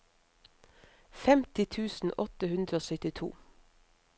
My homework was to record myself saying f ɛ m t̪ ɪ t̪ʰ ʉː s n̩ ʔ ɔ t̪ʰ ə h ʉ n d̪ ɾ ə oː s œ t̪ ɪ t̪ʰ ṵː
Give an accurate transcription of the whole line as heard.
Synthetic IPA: f ɛ m t̪ ɪ t̪ʰ ʉː s n̩ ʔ ɔ t̪ ə h ʉ n d̪ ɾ ə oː s œ t̪ ɪ t̪ʰ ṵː